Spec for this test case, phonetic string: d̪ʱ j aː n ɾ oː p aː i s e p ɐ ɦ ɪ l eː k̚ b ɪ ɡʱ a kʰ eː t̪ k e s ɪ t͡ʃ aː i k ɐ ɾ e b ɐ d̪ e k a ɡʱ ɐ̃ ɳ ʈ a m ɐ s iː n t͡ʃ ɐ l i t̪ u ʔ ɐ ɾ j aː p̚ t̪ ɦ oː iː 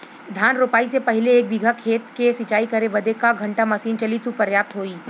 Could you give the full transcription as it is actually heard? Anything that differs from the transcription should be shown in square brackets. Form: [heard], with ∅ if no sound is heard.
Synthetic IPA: d̪ʱ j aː n ɾ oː p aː i s e p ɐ ɦ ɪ l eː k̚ b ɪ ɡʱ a kʰ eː t̪ k e s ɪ t͡ʃ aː i k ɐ ɾ e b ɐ d̪ e k a ɡʱ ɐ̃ ɳ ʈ a m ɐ s iː n t͡ʃ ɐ l i t̪ u [p] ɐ ɾ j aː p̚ t̪ ɦ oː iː